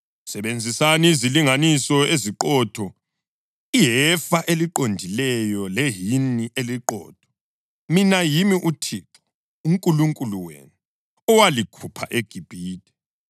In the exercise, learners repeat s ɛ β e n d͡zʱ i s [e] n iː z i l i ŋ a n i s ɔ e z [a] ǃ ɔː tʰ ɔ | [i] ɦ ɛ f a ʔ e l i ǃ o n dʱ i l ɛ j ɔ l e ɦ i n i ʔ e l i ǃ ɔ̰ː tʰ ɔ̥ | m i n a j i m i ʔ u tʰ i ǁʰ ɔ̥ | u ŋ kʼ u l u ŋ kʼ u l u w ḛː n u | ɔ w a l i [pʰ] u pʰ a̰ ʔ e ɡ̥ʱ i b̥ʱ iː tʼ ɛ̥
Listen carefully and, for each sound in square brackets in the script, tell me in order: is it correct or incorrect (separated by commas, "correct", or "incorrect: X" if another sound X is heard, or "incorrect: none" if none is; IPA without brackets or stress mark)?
incorrect: a, incorrect: i, correct, incorrect: kʰ